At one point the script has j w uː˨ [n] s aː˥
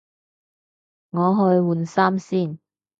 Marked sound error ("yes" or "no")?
no